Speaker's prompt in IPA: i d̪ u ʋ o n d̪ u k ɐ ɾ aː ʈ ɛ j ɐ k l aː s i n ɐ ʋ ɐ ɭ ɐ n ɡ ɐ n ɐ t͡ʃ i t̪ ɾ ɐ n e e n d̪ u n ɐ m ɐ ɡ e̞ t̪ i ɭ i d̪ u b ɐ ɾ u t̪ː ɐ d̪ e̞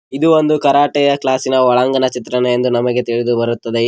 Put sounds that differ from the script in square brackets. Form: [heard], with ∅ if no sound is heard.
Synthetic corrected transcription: i d̪ u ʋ o n d̪ u k ɐ ɾ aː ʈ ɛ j ɐ k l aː s i n ɐ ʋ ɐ ɭ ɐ [ŋ] ɡ ɐ n ɐ t͡ʃ i t̪ ɾ ɐ n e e n d̪ u n ɐ m ɐ ɡ e̞ t̪ i ɭ i d̪ u b ɐ ɾ u t̪ː ɐ d̪ e̞

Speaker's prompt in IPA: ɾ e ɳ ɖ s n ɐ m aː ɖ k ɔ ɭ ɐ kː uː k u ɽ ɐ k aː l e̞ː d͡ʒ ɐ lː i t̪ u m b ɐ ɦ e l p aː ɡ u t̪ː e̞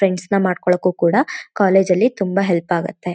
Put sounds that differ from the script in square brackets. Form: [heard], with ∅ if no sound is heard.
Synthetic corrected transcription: ɾ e ɳ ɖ s n ɐ m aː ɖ k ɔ ɭ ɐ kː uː k [uː] ɽ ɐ k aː l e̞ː d͡ʒ ɐ lː i t̪ u m b ɐ ɦ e l p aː ɡ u t̪ː e̞

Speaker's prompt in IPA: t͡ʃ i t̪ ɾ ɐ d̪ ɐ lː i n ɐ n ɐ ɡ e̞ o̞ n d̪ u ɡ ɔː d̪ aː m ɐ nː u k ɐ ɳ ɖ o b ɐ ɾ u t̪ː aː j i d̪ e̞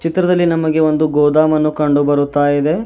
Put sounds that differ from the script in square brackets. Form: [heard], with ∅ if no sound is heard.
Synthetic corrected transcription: t͡ʃ i t̪ ɾ ɐ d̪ ɐ lː i n ɐ [m] ɐ ɡ e̞ o̞ n d̪ u ɡ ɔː d̪ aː m ɐ nː u k ɐ ɳ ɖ [u] b ɐ ɾ u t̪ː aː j i d̪ e̞

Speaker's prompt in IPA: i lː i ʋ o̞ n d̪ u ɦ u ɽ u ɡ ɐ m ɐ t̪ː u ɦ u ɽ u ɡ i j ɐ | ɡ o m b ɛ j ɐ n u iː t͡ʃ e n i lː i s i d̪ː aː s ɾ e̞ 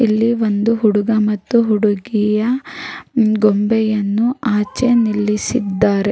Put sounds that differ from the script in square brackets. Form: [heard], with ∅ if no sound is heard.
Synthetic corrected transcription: i lː i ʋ o̞ n d̪ u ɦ u ɽ u ɡ ɐ m ɐ t̪ː u ɦ u ɽ u ɡ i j ɐ | ɡ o m b ɛ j ɐ [nː] u [aː] t͡ʃ e n i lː i s i d̪ː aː [∅] ɾ e̞

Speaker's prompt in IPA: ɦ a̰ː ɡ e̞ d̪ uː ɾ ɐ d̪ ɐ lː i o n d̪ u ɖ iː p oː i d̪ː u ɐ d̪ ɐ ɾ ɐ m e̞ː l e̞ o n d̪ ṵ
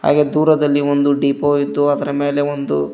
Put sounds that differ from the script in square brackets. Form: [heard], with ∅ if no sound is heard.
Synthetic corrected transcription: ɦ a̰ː ɡ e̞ d̪ uː ɾ ɐ d̪ ɐ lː i o n d̪ u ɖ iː p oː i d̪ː u ɐ d̪ ɐ ɾ ɐ m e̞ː l e̞ o n d̪ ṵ

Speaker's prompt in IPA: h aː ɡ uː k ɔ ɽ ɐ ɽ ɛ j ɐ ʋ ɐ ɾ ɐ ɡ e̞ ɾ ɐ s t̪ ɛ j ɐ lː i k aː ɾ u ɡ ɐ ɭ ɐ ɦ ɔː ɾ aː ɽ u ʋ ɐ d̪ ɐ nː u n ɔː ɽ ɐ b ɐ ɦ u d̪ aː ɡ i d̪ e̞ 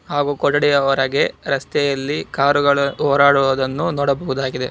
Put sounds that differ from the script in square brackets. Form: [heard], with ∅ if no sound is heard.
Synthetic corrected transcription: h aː ɡ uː k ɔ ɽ ɐ ɽ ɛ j ɐ ʋ ɐ ɾ ɐ ɡ e̞ ɾ ɐ s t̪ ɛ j ɐ lː i k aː ɾ u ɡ ɐ ɭ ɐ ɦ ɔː ɾ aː ɽ u ʋ ɐ d̪ ɐ nː u n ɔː ɽ ɐ b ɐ ɦ u d̪ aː ɡ i d̪ e̞

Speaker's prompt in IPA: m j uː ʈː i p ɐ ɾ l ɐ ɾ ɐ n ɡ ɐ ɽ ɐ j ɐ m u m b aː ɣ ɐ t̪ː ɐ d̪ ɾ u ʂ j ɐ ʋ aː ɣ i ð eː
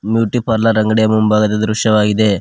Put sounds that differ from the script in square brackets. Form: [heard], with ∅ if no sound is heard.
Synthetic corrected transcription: m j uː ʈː i p ɐ ɾ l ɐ ɾ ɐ [ŋ] ɡ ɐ ɽ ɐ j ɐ m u m b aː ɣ ɐ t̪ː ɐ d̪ ɾ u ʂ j ɐ ʋ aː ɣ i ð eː

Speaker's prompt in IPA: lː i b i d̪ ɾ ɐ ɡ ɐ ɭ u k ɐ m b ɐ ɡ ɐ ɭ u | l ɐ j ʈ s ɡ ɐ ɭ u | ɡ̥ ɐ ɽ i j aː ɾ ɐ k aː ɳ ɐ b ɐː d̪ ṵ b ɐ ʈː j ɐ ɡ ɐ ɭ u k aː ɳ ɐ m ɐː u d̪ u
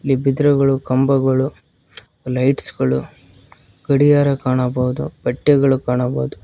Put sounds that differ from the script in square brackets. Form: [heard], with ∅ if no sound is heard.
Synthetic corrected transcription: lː i b i d̪ ɾ ɐ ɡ ɐ ɭ u k ɐ m b ɐ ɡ ɐ ɭ u | l ɐ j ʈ s ɡ ɐ ɭ u | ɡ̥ ɐ ɽ i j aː ɾ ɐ k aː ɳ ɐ b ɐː d̪ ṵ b ɐ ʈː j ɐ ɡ ɐ ɭ u k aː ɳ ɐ [b] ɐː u d̪ u

